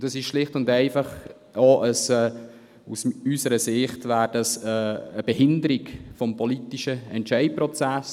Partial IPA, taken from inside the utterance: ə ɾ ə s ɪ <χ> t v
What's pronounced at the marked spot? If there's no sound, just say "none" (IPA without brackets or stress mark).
χ